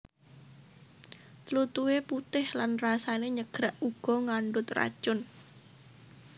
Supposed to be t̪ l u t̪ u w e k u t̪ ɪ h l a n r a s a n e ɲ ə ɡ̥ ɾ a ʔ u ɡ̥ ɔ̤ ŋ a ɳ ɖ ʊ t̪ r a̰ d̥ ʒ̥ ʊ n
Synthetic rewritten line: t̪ l u t̪ u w e p u t̪ ɪ h l a n r a s a n e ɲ ə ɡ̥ ɾ a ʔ u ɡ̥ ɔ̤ ŋ a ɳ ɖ ʊ t̪ r a̰ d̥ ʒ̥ ʊ n